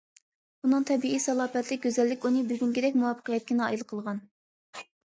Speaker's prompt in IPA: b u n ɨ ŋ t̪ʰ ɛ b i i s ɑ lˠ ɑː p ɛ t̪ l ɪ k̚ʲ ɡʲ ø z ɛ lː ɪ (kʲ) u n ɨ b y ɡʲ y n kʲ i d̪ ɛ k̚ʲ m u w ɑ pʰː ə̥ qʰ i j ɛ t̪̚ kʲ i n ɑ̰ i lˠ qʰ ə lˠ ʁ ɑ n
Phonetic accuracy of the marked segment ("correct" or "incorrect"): correct